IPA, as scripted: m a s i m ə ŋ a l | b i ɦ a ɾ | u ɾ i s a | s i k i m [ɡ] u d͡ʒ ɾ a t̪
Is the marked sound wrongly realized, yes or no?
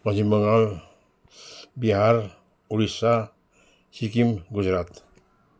no